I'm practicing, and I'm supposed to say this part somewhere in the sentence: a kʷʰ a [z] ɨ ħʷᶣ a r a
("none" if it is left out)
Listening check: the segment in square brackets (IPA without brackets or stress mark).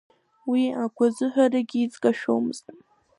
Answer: z